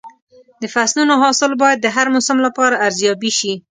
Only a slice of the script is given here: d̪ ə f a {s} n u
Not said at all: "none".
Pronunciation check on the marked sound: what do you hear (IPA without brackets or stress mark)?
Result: s